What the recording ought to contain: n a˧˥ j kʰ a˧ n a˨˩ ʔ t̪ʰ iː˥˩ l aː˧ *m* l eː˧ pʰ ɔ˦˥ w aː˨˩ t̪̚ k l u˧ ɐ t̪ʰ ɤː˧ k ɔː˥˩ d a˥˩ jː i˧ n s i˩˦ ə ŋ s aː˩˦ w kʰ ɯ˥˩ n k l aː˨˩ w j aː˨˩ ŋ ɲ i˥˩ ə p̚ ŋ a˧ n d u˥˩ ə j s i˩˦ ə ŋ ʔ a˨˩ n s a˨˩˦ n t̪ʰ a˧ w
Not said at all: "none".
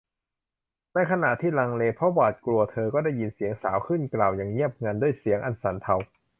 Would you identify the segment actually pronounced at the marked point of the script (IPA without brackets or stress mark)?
ŋ